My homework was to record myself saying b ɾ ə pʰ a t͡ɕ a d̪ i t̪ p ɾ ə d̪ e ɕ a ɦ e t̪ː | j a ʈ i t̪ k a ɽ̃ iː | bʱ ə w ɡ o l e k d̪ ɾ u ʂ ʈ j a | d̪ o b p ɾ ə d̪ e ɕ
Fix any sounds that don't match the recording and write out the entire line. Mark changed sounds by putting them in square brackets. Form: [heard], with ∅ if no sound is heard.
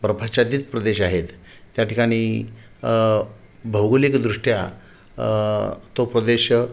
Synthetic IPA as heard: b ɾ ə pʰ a t͡ɕ a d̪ i t̪ p ɾ ə d̪ e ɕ a ɦ e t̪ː | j a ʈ i [∅] k a ɽ̃ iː | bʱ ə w ɡ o l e k d̪ ɾ u ʂ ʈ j a | [t̪] o [∅] p ɾ ə d̪ e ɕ